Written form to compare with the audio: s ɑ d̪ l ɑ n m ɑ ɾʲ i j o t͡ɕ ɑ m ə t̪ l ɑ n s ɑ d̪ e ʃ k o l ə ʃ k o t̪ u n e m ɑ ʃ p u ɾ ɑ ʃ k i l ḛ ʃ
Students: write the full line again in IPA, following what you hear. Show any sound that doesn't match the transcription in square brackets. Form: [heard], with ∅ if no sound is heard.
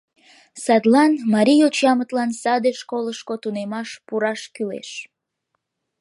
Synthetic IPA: s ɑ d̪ l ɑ n m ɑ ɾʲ i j o t͡ɕ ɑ m ə t̪ l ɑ n s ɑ d̪ e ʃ k o l ə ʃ k o t̪ u n e m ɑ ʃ p u ɾ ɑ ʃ k [y] l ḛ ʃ